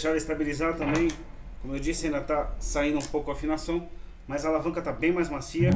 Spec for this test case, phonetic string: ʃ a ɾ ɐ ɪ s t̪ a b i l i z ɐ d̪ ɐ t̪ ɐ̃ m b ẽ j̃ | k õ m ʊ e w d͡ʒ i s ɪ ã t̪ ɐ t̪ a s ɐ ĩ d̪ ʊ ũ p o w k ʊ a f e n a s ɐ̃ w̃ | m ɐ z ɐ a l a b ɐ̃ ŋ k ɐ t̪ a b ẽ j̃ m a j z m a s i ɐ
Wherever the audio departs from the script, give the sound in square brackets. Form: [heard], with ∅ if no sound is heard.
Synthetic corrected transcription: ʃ a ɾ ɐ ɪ s t̪ a b i l i z [a] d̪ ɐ t̪ ɐ̃ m b ẽ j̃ | k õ m ʊ e w d͡ʒ i s ɪ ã [d̪] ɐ t̪ a s [a] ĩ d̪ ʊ ũ p o w k ʊ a f [i] n a s ɐ̃ w̃ | m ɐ z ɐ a l a [v] ɐ̃ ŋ k ɐ t̪ a b ẽ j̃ m a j z m a s i ɐ